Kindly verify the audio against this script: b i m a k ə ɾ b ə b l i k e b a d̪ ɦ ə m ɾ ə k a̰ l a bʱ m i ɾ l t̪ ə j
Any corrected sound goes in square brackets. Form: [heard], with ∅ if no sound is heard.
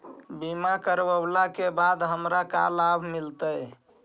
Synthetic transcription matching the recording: b i m a k ə ɾ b ə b l [a] k e b a d̪ ɦ ə m ɾ [a] k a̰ l a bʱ m i [∅] l t̪ ə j

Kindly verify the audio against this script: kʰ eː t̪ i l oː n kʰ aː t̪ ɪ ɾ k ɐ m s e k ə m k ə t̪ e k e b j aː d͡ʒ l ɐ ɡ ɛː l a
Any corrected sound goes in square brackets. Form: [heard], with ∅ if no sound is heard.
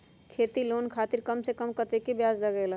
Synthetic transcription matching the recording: kʰ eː t̪ i l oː n kʰ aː t̪ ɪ ɾ k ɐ m s e k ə m k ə t̪ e k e b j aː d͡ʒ l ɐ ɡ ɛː l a

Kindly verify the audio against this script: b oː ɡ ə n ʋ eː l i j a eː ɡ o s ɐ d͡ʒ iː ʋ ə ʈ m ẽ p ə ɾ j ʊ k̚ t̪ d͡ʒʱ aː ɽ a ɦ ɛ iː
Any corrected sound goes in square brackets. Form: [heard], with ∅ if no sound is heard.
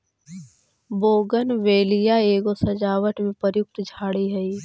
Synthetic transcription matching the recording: b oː ɡ ə n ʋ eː l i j a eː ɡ o s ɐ d͡ʒ [aː] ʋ ə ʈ m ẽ p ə ɾ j ʊ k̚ t̪ d͡ʒʱ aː ɽ [i] ɦ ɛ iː

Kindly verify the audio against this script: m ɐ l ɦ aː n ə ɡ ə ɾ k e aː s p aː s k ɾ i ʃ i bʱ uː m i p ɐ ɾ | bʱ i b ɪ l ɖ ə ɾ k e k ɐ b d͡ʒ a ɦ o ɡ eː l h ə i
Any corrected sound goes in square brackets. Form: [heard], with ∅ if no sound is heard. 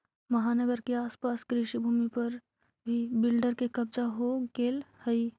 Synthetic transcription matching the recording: m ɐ [∅] ɦ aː n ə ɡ ə ɾ k e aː s p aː s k ɾ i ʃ i bʱ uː m i p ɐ ɾ | bʱ i b ɪ l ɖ ə ɾ k e k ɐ b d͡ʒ a ɦ o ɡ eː l h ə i

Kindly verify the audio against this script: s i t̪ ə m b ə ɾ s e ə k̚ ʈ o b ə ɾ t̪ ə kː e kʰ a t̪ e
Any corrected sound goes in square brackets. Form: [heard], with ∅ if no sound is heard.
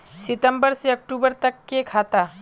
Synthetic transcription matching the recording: s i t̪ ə m b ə ɾ s e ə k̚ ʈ [u] b ə ɾ t̪ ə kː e kʰ a t̪ [a]

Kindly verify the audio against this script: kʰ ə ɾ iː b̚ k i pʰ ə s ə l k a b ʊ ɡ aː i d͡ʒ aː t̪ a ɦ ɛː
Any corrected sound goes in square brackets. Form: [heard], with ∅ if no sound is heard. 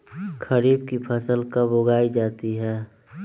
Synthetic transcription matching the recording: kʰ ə ɾ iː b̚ k i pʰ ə s ə l k a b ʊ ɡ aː i d͡ʒ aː t̪ [i] ɦ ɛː

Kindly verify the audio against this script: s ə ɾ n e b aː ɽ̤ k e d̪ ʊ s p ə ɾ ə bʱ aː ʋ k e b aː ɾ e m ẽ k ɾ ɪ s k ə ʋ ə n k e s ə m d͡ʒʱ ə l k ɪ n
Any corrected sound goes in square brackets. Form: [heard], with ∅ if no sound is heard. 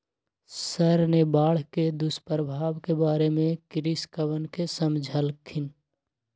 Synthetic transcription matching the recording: s ə ɾ n e b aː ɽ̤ k e d̪ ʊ s p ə ɾ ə bʱ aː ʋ k e b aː ɾ e m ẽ k ɾ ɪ s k ə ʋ ə n k e s ə m d͡ʒʱ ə l [kʰ] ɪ n

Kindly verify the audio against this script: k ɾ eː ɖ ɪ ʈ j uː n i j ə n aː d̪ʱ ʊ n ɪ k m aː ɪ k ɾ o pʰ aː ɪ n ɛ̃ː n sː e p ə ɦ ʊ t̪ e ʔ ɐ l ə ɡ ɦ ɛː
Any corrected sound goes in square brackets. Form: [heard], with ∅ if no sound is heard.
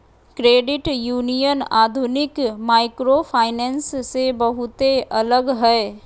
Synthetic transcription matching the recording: k ɾ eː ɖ ɪ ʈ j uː n i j ə n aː d̪ʱ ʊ n ɪ k m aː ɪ k ɾ o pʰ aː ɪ n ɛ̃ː n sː e [b] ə ɦ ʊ t̪ e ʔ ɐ l ə ɡ ɦ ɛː

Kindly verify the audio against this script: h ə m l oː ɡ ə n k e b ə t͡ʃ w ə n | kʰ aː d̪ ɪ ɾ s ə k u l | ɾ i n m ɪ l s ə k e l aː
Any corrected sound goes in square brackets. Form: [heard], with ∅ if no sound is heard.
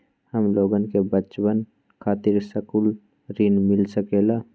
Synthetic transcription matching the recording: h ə m l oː ɡ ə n k e b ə t͡ʃ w ə n | kʰ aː [t̪] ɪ ɾ s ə k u l | ɾ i n m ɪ l s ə k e l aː

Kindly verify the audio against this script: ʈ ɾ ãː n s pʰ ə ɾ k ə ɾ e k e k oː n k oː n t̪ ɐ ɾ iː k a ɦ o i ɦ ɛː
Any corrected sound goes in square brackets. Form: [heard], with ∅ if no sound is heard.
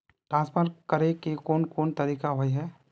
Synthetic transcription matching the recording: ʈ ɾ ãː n s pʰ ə ɾ k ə ɾ e k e k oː n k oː n t̪ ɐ ɾ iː k a ɦ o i ɦ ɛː

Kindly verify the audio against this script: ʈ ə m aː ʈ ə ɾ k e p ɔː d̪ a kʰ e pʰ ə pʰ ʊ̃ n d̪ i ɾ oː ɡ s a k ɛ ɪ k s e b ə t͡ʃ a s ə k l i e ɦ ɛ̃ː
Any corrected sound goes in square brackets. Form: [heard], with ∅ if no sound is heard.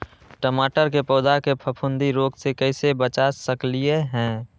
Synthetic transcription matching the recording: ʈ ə m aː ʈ ə ɾ k e p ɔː d̪ a [k] e pʰ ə pʰ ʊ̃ n d̪ i ɾ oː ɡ s [e] k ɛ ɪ [∅] s e b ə t͡ʃ a s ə k l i e ɦ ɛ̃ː

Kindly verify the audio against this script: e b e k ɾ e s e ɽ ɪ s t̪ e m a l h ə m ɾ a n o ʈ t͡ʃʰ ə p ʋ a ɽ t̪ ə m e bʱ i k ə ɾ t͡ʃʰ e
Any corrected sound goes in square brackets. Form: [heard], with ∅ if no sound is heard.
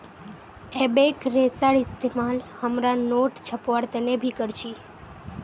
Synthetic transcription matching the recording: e b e k ɾ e s [a] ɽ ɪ s t̪ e m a l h ə m ɾ a n o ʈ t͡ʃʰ ə p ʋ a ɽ t̪ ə [n] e bʱ i k ə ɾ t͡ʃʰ [i]

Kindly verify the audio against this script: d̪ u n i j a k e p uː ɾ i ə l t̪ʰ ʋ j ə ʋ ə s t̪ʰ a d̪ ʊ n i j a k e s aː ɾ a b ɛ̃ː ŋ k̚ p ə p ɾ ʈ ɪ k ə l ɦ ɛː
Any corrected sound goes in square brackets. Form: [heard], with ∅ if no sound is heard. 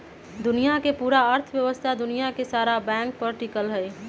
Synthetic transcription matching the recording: d̪ [ʊ] n i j a k e p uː ɾ [a] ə [ɾ] t̪ʰ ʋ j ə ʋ ə s t̪ʰ a d̪ ʊ n i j a k e s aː ɾ a b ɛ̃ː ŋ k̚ p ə [∅] ɾ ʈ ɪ k ə l ɦ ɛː

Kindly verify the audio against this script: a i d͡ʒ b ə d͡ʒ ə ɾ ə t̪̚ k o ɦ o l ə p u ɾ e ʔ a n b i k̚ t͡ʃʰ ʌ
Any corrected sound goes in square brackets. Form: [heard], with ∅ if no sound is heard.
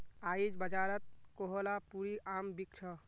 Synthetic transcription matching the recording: a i d͡ʒ b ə d͡ʒ [a] ɾ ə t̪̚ k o ɦ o l [a] p u ɾ [i] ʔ a [m] b i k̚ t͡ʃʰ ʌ

